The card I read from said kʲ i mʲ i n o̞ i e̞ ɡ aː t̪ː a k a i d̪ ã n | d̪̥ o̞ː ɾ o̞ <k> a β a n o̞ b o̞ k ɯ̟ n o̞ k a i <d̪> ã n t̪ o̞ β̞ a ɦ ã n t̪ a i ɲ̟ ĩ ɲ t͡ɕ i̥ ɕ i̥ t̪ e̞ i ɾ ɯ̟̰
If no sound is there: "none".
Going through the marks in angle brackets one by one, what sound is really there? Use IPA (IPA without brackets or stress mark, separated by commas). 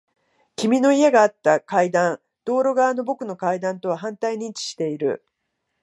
ɡ, d̪